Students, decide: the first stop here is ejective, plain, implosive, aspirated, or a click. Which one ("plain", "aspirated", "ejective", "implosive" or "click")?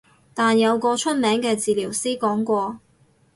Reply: plain